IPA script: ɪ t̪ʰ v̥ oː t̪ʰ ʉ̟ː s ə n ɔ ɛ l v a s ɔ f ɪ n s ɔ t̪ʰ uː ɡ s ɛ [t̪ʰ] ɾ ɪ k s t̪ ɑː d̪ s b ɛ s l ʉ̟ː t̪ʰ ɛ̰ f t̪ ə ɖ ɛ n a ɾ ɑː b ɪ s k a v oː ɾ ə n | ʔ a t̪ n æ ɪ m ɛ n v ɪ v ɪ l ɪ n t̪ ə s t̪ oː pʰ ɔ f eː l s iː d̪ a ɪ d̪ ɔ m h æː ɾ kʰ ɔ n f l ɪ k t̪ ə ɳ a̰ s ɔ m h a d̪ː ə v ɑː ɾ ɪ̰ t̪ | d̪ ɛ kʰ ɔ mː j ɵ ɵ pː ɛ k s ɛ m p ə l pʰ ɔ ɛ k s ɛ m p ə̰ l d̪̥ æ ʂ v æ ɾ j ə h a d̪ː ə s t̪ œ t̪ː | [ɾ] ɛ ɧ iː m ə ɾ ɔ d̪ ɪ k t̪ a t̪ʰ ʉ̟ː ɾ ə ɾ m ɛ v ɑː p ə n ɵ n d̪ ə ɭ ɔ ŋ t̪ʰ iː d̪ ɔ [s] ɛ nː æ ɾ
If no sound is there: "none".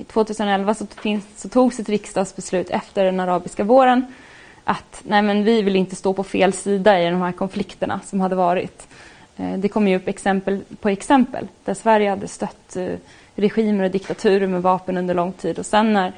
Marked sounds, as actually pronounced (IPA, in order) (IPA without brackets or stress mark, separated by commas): t̪, ɾ, s